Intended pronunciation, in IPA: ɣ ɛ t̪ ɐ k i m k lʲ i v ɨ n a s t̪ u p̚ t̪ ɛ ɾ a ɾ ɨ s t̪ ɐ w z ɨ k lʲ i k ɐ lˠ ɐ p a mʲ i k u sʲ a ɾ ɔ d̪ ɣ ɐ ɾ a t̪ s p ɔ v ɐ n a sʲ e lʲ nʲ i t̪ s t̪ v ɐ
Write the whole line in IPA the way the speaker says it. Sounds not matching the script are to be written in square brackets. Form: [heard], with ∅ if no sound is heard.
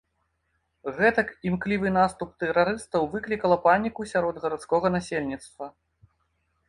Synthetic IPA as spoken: ɣ ɛ t̪ ɐ k i m k lʲ i v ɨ n a s t̪ u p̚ t̪ ɛ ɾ a ɾ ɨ s t̪ ɐ w [v] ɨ k lʲ i k ɐ lˠ ɐ p a [nʲ] i k u sʲ a ɾ ɔ d̪ ɣ ɐ ɾ a t̪ s [k] ɔ [ɣ] ɐ n a sʲ e lʲ nʲ i t̪ s t̪ v ɐ

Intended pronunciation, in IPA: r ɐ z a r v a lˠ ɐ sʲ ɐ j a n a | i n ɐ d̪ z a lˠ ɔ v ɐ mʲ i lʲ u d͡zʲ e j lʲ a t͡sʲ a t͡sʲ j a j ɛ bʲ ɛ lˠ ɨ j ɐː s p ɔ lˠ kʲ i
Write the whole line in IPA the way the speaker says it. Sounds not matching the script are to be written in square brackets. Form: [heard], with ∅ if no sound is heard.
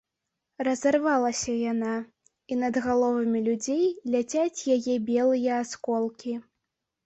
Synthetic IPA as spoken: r ɐ z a r v a lˠ ɐ sʲ ɐ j a n a | i n ɐ d̪ [ɣ] a lˠ ɔ v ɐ mʲ i lʲ u d͡zʲ e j lʲ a t͡sʲ a t͡sʲ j a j ɛ bʲ ɛ lˠ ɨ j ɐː s [k] ɔ lˠ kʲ i

